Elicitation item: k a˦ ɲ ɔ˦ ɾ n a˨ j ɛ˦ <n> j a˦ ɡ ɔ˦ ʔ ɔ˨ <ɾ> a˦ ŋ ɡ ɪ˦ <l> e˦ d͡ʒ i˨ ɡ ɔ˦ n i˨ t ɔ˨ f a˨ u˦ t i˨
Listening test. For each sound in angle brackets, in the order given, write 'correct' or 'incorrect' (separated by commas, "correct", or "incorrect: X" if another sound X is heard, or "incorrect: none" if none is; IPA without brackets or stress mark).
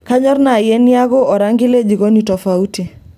correct, correct, correct